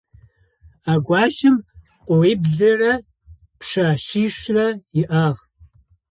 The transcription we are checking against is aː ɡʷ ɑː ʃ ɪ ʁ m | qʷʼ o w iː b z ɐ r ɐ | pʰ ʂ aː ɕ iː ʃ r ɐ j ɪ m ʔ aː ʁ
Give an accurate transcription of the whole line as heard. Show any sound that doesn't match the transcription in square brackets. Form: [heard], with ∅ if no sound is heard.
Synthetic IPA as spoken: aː ɡʷ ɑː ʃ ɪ [∅] m | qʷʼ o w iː b z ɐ r ɐ | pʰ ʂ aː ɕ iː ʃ r ɐ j ɪ [∅] ʔ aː ʁ